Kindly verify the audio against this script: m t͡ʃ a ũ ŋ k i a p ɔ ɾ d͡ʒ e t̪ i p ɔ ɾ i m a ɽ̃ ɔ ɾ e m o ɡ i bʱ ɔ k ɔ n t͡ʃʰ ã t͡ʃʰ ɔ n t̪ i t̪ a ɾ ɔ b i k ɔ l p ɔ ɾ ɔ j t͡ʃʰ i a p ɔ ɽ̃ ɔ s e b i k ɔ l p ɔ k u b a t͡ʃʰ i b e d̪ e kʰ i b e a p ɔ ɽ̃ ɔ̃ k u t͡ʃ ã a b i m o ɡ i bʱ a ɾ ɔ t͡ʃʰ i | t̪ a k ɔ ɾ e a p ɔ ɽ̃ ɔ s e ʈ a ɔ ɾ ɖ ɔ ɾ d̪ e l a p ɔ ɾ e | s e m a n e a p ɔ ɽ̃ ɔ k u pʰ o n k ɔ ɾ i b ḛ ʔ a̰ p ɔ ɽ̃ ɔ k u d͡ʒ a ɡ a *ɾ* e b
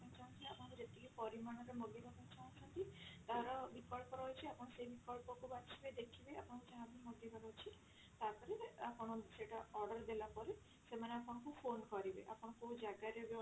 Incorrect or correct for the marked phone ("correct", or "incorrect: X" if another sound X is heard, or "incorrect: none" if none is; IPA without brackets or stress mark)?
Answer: correct